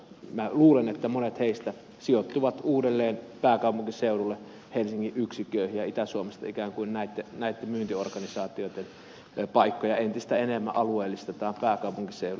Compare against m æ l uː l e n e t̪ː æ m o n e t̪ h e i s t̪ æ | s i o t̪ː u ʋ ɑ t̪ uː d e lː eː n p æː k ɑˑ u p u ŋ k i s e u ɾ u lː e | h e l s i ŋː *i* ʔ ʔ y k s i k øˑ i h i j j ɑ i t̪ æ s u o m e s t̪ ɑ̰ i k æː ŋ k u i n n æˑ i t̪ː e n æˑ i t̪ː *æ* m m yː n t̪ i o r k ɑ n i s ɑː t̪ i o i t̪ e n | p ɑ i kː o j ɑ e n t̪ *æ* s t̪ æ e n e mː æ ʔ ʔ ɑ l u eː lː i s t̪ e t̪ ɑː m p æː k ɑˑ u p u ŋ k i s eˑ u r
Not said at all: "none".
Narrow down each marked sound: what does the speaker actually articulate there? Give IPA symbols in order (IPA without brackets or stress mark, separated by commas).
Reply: i, e, i